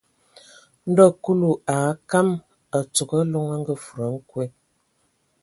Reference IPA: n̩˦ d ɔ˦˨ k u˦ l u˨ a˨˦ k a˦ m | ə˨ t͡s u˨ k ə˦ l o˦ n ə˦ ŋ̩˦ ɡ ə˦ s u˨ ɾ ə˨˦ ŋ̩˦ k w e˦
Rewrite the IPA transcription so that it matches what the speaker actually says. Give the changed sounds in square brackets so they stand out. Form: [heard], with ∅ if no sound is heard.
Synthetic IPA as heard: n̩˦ d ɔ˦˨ k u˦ l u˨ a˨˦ k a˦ m | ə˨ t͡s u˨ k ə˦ l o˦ [ŋ] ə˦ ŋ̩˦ ɡ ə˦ [f] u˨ ɾ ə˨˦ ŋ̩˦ k w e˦